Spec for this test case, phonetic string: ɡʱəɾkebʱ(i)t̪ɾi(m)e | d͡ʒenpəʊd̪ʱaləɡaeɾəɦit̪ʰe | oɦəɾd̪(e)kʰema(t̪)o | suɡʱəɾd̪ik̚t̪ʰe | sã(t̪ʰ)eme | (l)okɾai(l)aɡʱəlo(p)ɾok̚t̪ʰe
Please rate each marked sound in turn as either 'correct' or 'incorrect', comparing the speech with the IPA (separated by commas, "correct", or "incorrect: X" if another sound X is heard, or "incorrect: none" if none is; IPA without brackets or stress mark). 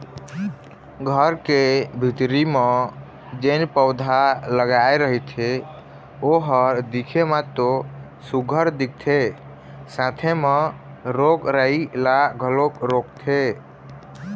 correct, correct, incorrect: i, correct, correct, incorrect: ɾ, correct, incorrect: k